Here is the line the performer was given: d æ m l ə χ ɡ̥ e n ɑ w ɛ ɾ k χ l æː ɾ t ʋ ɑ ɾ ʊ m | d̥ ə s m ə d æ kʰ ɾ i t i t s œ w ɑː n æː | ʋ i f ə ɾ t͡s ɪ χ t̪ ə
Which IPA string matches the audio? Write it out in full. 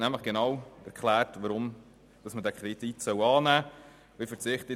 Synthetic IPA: n æ m l ə χ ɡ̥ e n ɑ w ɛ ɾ k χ l æː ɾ t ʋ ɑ ɾ ʊ m | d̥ ɑ s m ə d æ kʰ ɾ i t i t s œ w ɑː n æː | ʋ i f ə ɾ t͡s ɪ χ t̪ ə